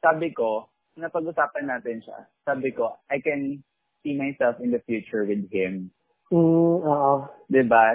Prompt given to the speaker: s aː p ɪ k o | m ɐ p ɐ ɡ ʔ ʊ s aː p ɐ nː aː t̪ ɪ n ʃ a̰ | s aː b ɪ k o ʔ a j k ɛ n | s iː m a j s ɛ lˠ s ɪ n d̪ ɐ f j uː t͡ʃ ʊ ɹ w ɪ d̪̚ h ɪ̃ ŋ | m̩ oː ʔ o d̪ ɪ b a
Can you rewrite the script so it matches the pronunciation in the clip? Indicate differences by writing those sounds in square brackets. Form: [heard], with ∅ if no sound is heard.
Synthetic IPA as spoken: s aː [b] ɪ k o | [n] ɐ p ɐ ɡ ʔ ʊ s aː p ɐ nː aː t̪ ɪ n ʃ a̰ | s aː b ɪ k o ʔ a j k ɛ n | s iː m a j s ɛ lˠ [f] ɪ n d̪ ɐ f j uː t͡ʃ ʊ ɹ w ɪ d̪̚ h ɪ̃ [m] | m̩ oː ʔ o d̪ ɪ b a